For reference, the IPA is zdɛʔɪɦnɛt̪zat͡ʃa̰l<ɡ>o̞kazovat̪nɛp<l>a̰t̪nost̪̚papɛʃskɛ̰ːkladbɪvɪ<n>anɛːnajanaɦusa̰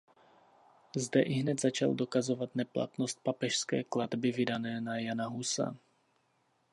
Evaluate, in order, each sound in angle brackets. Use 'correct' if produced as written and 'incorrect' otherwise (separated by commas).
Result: incorrect, correct, incorrect